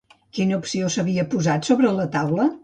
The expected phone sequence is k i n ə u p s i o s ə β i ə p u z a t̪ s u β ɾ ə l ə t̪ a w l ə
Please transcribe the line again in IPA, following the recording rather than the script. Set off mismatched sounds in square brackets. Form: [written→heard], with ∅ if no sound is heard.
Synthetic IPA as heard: k i n ə u p s i o s ə β i ə p u z a t̪ s [u→o] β ɾ ə l ə t̪ a w l ə